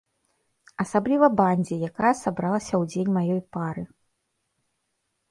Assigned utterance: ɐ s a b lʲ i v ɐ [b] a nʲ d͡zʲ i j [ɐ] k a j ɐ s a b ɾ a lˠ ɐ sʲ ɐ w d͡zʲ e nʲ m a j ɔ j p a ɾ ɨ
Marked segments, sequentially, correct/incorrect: correct, incorrect

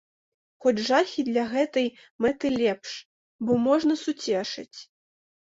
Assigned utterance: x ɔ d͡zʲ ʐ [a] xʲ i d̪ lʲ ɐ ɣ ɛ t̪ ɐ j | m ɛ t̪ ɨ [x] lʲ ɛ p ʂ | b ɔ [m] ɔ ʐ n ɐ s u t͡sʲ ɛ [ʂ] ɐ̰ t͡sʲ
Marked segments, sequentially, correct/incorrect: correct, incorrect, correct, correct

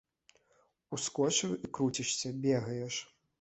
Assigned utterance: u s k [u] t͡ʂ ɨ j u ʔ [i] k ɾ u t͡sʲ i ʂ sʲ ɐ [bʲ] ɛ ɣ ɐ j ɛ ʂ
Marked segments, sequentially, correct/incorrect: incorrect, correct, correct

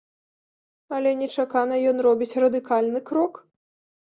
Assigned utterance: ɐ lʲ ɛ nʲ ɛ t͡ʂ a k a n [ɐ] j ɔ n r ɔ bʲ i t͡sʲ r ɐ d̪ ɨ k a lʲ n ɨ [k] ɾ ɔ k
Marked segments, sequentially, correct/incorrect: correct, correct

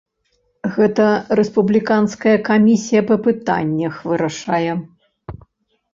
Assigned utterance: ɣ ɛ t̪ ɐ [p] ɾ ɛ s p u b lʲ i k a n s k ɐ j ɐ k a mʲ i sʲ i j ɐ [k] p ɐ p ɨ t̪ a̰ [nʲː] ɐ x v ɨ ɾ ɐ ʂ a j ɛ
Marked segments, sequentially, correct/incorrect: incorrect, incorrect, correct

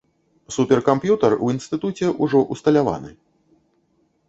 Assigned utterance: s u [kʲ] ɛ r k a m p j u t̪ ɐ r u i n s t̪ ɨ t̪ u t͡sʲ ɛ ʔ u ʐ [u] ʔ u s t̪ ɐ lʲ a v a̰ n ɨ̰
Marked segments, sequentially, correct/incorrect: incorrect, incorrect

